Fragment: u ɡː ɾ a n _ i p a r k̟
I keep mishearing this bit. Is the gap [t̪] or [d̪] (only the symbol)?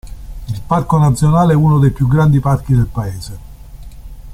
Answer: d̪